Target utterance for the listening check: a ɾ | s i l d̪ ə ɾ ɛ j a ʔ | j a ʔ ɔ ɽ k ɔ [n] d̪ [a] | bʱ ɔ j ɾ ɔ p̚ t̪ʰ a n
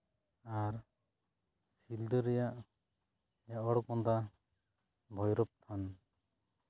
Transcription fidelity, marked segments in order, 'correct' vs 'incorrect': correct, correct

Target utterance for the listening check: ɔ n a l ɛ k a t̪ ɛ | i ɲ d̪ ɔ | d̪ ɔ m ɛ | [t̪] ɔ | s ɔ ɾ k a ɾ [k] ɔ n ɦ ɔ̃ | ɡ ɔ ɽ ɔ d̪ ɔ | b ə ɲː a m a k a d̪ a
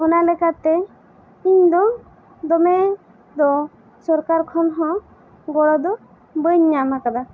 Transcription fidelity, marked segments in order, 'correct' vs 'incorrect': incorrect: d̪, incorrect: kʰ

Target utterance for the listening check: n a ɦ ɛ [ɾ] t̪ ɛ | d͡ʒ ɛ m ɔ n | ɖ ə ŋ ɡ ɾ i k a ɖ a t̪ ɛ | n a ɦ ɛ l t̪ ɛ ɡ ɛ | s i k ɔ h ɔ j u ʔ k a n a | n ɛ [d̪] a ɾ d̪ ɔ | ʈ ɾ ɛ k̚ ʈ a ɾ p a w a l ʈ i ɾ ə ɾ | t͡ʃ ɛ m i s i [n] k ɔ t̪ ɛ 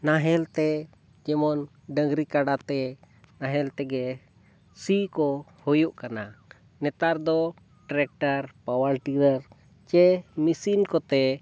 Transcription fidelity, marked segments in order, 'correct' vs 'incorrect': incorrect: l, incorrect: t̪, correct

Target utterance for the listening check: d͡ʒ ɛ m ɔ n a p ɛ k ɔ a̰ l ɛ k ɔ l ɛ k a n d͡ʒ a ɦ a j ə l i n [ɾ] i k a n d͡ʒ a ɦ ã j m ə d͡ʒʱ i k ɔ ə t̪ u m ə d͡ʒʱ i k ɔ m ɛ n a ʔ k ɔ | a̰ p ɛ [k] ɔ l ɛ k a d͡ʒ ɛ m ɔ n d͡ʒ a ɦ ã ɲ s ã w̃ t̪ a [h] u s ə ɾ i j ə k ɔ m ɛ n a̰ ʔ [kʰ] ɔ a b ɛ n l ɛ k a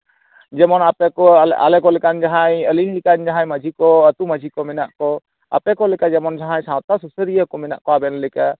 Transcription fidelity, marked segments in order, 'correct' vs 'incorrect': incorrect: l, correct, incorrect: s, incorrect: k

